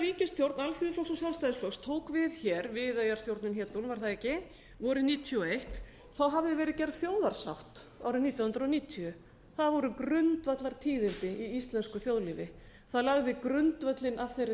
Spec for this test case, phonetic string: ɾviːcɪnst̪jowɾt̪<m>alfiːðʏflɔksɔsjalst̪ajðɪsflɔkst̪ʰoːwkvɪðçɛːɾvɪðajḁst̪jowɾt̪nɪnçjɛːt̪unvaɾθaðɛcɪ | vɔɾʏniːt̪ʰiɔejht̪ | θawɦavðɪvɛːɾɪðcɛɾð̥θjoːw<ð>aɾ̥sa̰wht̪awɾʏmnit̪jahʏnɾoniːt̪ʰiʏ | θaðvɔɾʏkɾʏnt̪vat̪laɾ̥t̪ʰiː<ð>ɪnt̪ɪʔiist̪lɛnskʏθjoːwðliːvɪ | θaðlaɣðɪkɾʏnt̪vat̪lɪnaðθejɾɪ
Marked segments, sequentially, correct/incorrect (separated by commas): incorrect, correct, correct